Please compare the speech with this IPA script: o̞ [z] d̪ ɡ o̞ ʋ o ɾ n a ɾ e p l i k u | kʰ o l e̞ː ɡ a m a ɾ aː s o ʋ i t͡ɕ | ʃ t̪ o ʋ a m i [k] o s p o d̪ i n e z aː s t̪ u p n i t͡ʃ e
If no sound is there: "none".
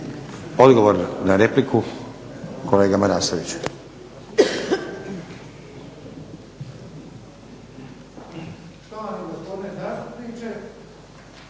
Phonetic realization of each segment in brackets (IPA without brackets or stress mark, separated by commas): none, ɡ